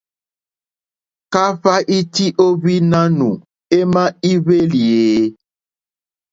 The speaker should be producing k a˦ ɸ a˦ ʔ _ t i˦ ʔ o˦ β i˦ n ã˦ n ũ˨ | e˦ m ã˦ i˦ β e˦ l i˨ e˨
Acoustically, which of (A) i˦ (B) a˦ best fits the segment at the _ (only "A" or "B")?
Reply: A